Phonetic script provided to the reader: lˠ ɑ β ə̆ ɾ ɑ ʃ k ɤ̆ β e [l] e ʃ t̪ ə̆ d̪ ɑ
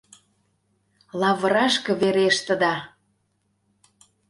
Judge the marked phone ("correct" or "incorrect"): incorrect